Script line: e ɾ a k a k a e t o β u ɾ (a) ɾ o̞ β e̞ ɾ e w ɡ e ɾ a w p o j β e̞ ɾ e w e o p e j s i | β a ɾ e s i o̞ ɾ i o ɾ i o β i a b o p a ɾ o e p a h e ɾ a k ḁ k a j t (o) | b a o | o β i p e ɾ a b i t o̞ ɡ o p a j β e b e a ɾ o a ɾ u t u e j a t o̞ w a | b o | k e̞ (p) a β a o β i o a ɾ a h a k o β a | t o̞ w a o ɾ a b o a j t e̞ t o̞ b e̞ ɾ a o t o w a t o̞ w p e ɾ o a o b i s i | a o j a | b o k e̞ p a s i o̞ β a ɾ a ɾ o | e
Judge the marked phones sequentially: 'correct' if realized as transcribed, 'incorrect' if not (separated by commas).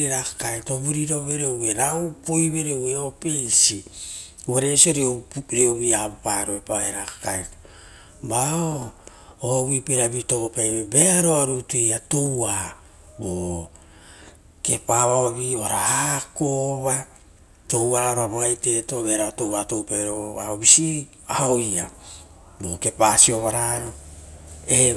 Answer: incorrect, correct, correct